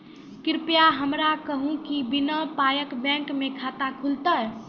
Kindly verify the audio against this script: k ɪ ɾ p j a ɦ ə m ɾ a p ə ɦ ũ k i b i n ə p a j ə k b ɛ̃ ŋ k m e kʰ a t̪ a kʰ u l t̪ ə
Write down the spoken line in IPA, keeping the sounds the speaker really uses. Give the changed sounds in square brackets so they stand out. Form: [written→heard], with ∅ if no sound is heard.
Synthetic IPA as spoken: k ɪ ɾ p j a ɦ ə m ɾ a [p→k] ə ɦ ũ k i b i n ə p a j ə k b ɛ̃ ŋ k m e kʰ a t̪ a kʰ u l t̪ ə